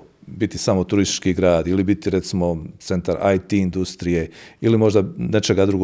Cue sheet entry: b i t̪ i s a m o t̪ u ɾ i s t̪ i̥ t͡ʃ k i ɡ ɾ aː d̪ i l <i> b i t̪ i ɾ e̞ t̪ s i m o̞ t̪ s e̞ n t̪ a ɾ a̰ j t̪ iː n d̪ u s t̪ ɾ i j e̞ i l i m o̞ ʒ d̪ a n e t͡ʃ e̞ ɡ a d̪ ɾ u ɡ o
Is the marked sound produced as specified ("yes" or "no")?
yes